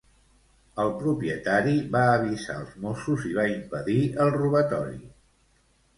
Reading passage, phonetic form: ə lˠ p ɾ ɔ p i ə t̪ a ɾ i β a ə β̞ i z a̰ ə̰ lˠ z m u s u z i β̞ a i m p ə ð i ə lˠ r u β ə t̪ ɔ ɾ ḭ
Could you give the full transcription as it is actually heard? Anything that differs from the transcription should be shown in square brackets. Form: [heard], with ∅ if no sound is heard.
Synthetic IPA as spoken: ə lˠ p ɾ [u] p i ə t̪ a ɾ i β a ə β̞ i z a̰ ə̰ lˠ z m [o] s u z i β̞ a i m p ə ð i ə lˠ r u β ə t̪ ɔ ɾ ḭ